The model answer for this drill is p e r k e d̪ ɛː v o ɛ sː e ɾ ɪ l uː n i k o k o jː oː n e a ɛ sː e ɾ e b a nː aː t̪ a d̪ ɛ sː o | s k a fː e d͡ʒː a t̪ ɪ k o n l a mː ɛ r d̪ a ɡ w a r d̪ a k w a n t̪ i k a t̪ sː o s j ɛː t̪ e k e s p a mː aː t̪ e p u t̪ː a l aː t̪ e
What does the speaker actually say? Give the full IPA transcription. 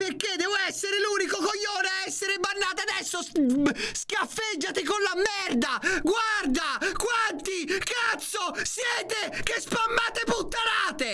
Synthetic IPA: p e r k e d̪ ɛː v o ɛ sː e ɾ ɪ l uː n i k o k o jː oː n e a ɛ sː e ɾ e b a nː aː t̪ a d̪ ɛ sː o | s k a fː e d͡ʒː a t̪ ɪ k o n l a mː ɛ r d̪ a ɡ w a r d̪ a k w a n t̪ i k a t̪ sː o s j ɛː t̪ e k e s p a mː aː t̪ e p u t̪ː a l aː t̪ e

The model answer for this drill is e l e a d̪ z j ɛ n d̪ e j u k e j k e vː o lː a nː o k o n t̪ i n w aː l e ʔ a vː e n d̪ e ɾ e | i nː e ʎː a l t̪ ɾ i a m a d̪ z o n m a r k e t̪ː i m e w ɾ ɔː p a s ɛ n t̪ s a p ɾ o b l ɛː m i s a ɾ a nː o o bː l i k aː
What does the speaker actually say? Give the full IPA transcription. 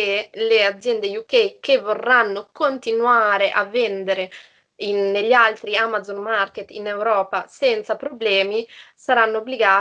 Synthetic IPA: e l e a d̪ z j ɛ n d̪ e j u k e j k e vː o rː a nː o k o n t̪ i n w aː ɾ e ʔ a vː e n d̪ e ɾ e | i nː e ʎː a l t̪ ɾ i a m a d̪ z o n m a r k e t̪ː i n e w ɾ ɔː p a s ɛ n t̪ s a p ɾ o b l ɛː m i s a ɾ a nː o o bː l i ɡ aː

